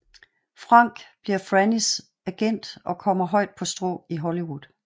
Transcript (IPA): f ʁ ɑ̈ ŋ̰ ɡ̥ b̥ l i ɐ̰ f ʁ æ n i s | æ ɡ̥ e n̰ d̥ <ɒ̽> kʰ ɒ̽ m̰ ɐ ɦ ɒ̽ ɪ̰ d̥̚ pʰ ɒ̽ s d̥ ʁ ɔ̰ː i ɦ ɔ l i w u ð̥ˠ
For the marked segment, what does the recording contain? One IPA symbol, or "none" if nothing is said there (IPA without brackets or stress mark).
ɒ̽